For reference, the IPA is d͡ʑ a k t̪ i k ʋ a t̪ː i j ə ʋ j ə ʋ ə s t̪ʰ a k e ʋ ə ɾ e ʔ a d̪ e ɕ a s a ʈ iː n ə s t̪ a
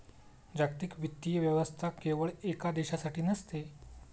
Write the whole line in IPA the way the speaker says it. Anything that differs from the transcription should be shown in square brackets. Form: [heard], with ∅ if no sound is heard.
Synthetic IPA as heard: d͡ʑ a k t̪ i k ʋ [i] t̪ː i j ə ʋ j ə ʋ ə s t̪ʰ a k e ʋ ə [ɭ] e [k] a d̪ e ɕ a s a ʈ iː n ə s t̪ [e]